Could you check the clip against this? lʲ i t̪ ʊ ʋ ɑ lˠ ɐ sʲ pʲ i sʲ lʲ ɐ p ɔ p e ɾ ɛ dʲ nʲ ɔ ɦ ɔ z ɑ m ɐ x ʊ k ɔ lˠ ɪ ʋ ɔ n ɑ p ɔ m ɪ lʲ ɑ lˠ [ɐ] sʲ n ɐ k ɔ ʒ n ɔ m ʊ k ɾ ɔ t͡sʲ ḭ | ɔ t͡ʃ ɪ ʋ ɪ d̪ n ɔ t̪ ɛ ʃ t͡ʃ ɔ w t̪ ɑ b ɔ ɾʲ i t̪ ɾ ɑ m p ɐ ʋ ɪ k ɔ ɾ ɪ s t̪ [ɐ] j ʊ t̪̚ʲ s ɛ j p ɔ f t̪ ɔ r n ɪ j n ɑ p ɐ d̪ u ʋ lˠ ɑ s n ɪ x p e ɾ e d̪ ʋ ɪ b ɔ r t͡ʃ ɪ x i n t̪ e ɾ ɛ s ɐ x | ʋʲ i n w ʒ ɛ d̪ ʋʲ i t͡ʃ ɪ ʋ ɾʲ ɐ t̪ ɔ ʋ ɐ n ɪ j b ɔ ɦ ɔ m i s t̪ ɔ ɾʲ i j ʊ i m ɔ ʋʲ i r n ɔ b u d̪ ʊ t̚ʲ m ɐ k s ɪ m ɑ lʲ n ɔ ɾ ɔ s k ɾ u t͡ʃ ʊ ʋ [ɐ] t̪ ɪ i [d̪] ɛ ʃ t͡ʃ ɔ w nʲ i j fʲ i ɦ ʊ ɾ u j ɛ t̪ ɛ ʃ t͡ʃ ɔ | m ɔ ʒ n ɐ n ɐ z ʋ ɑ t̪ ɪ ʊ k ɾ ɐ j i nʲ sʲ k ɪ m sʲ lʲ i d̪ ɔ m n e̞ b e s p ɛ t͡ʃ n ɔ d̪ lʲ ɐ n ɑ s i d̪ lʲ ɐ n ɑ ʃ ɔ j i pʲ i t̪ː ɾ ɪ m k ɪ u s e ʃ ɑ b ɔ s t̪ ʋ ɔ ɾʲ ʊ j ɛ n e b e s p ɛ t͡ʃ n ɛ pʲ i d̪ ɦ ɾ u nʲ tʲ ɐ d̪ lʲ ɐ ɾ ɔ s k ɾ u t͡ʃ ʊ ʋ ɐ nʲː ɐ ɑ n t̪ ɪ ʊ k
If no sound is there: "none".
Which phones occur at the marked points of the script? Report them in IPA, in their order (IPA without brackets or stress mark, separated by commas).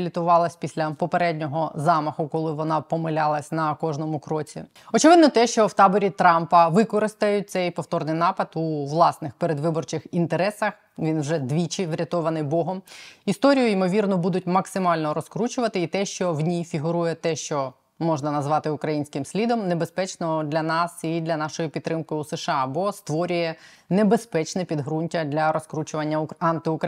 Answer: ɐ, ɐ, ɐ, t̪